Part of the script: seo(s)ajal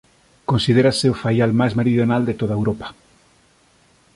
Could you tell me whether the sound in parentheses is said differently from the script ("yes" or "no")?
yes